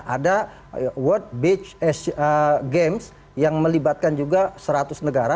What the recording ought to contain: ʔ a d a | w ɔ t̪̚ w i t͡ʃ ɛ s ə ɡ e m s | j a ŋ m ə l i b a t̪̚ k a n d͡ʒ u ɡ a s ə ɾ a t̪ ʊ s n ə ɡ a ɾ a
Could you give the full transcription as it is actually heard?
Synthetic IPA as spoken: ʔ a d a | w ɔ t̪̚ b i t͡ʃ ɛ s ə ɡ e m s | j a ŋ m ə l i b a t̪̚ k a n d͡ʒ u ɡ a s ə ɾ a t̪ ʊ s n ə ɡ a ɾ a